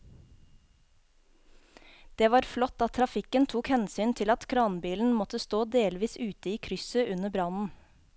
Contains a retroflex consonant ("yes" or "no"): no